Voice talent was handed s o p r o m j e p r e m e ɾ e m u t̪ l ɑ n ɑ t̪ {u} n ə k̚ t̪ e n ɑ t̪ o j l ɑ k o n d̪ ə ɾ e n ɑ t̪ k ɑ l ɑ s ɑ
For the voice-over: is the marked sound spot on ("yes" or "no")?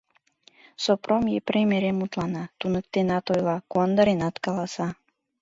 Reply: yes